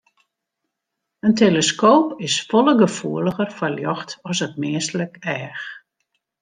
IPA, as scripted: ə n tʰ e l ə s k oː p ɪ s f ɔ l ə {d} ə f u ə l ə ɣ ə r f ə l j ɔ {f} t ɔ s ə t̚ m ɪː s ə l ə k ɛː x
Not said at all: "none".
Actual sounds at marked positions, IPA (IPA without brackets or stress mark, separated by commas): ɡ, x